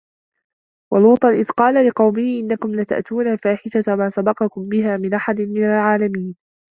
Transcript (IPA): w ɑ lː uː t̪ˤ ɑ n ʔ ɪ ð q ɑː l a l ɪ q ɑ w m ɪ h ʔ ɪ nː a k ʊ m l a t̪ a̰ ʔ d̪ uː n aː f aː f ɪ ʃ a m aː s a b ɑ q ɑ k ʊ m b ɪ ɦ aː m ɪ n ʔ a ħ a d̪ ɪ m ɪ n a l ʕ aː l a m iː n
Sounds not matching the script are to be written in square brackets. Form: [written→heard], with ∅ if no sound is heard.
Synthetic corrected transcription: w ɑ [lː→l] uː t̪ˤ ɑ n ʔ ɪ ð q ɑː l a l ɪ q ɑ w m ɪ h ʔ ɪ nː a k ʊ m l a t̪ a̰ ʔ [d̪→t̪] uː n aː f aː [f→ħ] ɪ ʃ a m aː s a b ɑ q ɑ k ʊ m b ɪ ɦ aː m ɪ n ʔ a ħ a d̪ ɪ m ɪ n a l ʕ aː l a m iː n